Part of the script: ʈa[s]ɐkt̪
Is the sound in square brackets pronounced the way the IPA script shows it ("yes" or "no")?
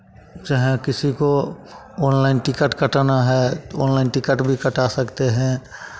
yes